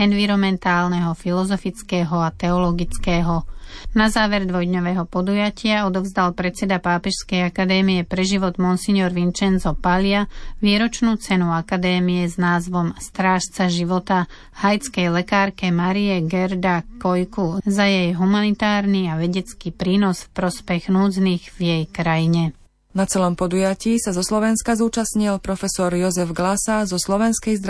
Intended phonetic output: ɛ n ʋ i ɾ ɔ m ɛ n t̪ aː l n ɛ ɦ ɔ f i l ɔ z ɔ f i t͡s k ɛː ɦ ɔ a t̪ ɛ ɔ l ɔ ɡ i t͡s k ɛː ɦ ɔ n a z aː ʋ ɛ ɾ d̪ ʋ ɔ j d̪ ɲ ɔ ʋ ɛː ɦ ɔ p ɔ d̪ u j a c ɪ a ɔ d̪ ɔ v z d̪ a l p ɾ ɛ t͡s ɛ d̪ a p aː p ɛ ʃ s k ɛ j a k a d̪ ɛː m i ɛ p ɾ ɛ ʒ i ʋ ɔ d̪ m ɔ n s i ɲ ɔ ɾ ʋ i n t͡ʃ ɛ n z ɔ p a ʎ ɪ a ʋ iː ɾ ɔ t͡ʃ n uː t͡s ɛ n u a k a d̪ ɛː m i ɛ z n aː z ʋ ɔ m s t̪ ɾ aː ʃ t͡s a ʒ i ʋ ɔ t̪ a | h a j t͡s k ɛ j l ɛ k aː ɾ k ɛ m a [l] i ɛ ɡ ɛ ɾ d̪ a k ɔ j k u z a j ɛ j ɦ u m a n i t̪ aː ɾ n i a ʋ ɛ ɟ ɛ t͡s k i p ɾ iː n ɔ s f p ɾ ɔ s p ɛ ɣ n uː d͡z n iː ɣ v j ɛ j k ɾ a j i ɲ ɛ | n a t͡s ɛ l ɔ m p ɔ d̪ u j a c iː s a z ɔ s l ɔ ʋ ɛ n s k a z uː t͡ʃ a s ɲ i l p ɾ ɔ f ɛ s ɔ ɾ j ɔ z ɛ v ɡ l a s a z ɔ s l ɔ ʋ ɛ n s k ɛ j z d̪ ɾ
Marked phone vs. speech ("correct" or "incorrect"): incorrect